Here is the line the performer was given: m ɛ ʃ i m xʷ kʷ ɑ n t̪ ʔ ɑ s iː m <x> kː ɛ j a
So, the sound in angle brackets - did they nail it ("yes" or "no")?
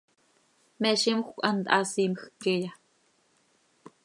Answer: yes